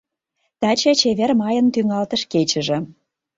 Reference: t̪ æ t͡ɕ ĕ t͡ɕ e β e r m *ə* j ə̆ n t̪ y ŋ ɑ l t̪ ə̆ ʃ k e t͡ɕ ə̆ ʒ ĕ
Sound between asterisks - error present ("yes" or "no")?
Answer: yes